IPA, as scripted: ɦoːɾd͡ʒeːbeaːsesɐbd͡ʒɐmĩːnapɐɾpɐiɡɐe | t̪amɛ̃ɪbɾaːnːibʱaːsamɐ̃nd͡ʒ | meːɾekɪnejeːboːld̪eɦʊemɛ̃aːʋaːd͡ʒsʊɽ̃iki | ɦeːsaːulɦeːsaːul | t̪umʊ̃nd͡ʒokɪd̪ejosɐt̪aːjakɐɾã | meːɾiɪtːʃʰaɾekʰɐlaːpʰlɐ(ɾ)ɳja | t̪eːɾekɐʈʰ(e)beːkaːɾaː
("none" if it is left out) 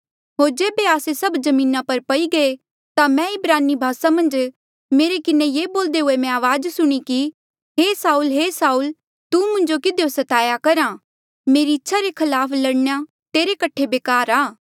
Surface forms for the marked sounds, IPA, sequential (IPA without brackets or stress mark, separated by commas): ɽ, e